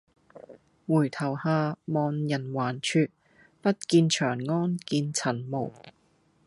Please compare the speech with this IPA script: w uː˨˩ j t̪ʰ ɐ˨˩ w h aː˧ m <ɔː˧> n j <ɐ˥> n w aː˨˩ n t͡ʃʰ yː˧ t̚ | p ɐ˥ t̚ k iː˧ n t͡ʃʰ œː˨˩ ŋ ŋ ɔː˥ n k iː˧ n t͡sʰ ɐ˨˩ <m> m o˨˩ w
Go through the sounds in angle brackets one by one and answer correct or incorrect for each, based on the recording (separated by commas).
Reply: correct, incorrect, incorrect